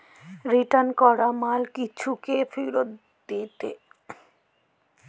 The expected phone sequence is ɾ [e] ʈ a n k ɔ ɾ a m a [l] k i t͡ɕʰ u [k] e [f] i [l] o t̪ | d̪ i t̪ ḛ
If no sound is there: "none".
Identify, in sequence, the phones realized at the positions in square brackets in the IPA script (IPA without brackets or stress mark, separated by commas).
i, l, k, f, ɾ